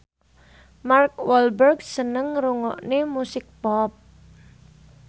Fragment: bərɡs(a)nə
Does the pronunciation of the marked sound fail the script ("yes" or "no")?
yes